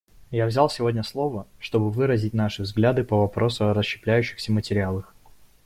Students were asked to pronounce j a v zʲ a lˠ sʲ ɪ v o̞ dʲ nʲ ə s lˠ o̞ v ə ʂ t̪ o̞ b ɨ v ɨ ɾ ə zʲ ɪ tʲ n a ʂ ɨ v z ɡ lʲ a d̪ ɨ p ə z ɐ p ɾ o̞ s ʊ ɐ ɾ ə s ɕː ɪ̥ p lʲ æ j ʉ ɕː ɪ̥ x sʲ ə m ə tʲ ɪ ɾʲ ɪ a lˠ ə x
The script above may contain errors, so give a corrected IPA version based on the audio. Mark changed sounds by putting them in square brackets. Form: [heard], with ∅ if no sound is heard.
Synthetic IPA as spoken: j a v zʲ a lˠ sʲ ɪ v o̞ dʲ nʲ ə s lˠ o̞ v ə ʂ t̪ o̞ b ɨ v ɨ ɾ ə zʲ ɪ tʲ n a ʂ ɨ v z ɡ lʲ a d̪ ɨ p ə [v] ɐ p ɾ o̞ s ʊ ɐ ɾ ə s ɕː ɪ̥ p lʲ æ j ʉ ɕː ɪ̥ x sʲ ə m ə tʲ ɪ ɾʲ ɪ a lˠ ə x